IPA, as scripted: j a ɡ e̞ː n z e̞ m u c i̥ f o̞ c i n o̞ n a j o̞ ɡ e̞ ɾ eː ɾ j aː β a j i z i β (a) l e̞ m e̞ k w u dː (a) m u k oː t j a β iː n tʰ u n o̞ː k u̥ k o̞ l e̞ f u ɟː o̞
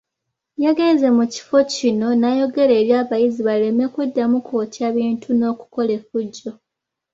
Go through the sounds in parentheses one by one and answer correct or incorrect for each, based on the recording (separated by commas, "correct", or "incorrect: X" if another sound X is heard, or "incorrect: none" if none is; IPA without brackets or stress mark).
correct, correct